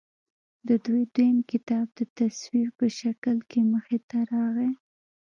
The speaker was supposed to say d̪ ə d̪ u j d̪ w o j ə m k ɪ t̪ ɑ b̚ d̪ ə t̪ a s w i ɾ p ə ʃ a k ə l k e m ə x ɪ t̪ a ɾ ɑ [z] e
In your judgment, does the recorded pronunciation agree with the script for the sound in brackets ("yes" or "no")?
no